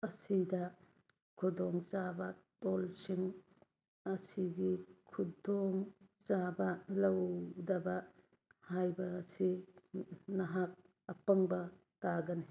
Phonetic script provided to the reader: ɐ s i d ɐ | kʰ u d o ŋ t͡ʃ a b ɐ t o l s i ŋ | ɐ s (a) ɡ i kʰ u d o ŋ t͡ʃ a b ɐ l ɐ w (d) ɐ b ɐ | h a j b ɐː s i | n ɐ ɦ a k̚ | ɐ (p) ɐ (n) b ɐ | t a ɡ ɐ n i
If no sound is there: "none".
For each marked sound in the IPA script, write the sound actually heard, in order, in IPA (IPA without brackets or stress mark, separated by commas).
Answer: i, d, p, ŋ